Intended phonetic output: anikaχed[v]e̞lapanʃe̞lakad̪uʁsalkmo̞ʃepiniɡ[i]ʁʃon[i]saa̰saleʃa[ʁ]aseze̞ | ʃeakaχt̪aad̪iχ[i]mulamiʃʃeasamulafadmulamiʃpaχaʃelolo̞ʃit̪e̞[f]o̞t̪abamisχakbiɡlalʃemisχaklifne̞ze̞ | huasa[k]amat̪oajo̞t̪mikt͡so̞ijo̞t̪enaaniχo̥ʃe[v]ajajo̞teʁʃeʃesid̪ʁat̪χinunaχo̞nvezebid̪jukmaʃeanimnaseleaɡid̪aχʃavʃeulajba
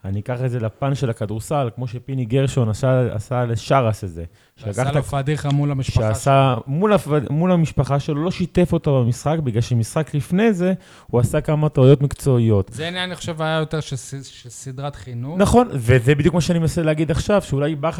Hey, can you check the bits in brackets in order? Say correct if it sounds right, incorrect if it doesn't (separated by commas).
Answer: incorrect, incorrect, incorrect, correct, incorrect, correct, correct, correct